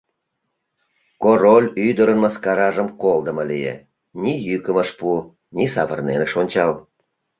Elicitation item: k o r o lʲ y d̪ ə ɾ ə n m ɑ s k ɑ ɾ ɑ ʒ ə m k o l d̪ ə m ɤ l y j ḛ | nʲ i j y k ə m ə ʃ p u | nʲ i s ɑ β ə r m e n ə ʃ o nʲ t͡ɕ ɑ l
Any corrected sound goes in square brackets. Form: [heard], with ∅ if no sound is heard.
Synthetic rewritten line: k o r o lʲ y d̪ ə ɾ ə n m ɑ s k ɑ ɾ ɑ ʒ ə m k o l d̪ ə m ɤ l [i] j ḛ | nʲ i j y k ə m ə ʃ p u | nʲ i s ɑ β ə r [n] e n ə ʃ o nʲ t͡ɕ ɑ l